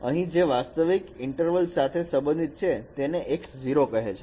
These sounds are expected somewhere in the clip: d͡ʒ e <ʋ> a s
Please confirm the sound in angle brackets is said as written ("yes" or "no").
yes